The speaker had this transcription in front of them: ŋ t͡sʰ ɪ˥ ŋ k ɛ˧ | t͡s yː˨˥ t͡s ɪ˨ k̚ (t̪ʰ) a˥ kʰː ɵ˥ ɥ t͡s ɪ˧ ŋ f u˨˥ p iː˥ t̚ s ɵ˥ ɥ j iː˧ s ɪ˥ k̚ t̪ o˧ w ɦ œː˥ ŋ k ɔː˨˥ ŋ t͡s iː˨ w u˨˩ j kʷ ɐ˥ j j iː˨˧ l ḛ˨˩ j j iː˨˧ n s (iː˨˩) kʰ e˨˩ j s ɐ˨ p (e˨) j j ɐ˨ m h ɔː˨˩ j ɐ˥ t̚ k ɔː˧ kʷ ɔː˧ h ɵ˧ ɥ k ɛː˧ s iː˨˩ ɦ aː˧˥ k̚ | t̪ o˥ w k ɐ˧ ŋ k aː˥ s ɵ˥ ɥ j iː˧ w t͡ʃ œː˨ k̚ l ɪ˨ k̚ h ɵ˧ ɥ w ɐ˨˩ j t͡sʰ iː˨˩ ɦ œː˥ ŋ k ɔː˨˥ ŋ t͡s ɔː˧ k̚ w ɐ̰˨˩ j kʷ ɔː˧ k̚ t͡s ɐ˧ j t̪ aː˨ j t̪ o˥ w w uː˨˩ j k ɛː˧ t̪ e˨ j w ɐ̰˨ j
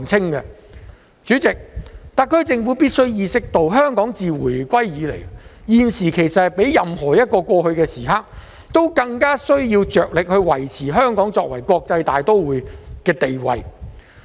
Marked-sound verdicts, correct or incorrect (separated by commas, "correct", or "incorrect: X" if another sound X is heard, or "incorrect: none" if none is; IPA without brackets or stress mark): incorrect: t̪, correct, incorrect: e˨˥